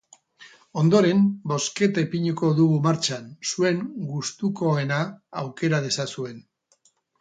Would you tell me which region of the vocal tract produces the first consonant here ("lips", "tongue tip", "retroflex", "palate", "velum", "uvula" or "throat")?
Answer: tongue tip